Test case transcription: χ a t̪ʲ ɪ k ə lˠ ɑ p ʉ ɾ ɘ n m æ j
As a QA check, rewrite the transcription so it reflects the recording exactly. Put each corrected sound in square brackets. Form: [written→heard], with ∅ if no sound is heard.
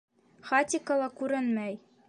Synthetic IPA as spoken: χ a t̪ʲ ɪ k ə lˠ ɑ [p→k] ʉ ɾ ɘ n m æ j